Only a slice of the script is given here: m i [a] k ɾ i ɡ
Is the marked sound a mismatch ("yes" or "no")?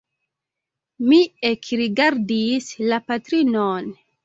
yes